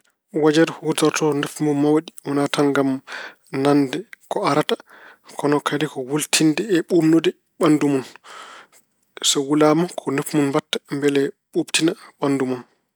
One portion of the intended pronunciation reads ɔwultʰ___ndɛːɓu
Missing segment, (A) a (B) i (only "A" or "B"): B